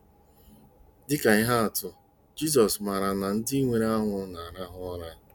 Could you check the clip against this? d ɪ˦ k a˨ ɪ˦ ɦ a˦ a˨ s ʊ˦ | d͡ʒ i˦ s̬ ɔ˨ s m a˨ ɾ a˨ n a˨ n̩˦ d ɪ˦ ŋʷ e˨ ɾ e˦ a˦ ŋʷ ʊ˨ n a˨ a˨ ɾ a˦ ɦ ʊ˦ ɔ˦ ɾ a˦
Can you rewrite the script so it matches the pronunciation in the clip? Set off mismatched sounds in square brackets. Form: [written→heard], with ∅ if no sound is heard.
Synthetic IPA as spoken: d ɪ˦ k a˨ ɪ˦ ɦ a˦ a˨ [s→t] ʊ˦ | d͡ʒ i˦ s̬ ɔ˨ s m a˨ ɾ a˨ n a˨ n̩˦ d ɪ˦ ŋʷ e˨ ɾ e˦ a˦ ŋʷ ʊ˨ n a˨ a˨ ɾ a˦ ɦ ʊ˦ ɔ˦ ɾ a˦

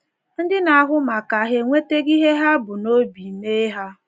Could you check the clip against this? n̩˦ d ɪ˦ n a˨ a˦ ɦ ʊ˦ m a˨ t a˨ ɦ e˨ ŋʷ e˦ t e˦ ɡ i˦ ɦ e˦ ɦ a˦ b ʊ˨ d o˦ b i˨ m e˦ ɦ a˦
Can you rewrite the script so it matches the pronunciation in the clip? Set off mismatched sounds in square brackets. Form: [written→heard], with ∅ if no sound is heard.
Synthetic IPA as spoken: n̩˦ d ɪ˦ n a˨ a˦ ɦ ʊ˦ m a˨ [t→k] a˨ ɦ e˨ ŋʷ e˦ t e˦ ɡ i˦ ɦ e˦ ɦ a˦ b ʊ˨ [d→n] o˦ b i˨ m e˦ ɦ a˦

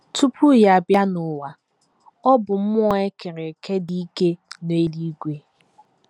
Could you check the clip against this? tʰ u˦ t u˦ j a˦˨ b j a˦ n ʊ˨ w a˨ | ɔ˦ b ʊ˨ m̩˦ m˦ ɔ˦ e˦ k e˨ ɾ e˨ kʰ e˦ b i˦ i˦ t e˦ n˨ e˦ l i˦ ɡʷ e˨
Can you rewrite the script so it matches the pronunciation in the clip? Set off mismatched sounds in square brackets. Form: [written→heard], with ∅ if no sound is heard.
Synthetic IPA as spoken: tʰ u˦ [t→p] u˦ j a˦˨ b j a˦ n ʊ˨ w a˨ | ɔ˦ b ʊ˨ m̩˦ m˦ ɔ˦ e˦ k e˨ ɾ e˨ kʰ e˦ [b→d] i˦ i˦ [t→k] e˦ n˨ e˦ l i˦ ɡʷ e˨

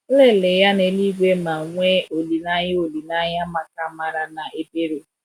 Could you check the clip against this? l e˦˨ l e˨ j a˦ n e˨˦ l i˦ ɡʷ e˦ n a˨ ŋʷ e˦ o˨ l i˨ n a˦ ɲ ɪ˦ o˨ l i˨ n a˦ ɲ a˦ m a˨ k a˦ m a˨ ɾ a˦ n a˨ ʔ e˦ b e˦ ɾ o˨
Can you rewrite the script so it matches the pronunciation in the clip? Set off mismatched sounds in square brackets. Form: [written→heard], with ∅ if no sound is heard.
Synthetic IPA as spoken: l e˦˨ l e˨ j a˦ n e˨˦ l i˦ ɡʷ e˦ [n→m] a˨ ŋʷ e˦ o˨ l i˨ n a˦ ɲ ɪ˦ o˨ l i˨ n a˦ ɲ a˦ m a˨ k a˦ m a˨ ɾ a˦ n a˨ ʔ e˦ b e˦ ɾ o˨

